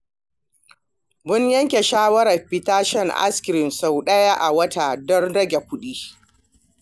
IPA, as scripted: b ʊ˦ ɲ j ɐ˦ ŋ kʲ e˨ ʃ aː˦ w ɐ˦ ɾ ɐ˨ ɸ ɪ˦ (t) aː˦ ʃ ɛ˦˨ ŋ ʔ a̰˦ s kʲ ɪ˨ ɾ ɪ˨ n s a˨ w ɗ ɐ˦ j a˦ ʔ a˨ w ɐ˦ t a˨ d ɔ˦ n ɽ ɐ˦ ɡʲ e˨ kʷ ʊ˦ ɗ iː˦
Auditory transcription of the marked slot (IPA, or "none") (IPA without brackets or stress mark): t